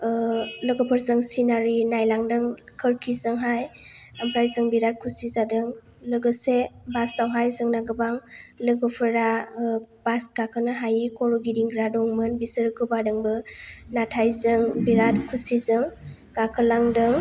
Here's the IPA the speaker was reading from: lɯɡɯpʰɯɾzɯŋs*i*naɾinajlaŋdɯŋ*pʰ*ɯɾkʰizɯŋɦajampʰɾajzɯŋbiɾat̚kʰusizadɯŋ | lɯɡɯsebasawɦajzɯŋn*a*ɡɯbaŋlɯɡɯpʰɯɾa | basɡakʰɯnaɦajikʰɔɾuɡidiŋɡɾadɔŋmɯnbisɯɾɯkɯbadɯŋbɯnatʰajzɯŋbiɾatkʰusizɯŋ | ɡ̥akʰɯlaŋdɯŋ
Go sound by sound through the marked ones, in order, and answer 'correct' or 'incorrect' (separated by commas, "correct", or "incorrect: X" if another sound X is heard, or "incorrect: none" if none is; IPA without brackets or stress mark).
correct, incorrect: kʰ, correct